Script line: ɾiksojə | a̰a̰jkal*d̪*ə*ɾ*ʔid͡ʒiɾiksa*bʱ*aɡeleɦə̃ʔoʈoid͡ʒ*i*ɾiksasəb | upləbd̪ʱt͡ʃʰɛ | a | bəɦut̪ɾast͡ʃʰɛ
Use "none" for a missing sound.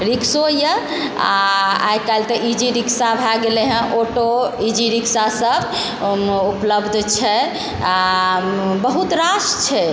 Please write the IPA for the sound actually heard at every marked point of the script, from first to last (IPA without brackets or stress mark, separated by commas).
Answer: t̪, none, bʱ, i